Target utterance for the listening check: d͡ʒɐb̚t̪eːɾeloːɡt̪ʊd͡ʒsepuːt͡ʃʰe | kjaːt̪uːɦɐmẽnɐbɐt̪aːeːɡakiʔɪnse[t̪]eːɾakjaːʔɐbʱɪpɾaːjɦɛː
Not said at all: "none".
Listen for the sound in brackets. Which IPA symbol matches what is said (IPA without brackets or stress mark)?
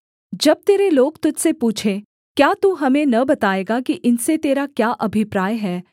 t̪